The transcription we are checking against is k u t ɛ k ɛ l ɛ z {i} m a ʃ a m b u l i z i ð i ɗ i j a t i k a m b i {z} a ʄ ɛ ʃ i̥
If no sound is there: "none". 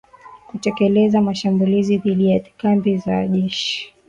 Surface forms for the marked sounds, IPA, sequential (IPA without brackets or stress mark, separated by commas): a, z